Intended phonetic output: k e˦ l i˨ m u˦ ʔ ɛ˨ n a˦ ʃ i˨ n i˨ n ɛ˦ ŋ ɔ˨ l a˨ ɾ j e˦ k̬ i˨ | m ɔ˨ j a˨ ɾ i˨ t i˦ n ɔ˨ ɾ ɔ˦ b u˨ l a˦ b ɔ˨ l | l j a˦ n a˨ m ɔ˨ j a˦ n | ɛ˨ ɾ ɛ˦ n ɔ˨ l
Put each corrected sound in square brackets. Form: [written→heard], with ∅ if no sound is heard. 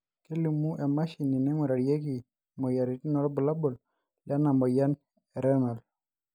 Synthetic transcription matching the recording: k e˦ l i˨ m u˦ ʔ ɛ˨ [n→m] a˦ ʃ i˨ n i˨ n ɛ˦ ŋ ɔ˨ [l→ɾ] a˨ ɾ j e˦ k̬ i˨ | m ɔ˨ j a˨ ɾ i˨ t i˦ n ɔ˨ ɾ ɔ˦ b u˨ l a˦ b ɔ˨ l | l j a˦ n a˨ m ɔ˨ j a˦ n | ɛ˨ ɾ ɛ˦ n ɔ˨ l